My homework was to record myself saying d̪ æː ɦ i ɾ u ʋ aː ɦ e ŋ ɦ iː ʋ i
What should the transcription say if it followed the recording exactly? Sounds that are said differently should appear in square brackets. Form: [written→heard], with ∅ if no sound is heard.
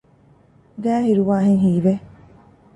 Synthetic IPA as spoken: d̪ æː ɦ i ɾ u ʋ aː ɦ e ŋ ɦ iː ʋ [i→e]